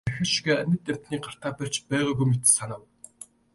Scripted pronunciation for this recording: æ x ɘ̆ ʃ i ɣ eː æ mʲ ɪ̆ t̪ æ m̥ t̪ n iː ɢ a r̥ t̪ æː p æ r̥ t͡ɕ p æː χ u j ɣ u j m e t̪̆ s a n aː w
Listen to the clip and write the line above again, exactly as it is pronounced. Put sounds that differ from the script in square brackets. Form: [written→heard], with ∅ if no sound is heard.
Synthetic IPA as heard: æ x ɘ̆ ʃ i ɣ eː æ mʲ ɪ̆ t̪ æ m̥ t̪ n iː ɢ a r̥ t̪ [æː→aː] p æ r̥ t͡ɕ p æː [χ→ʁ] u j ɣ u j m e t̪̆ s a n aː w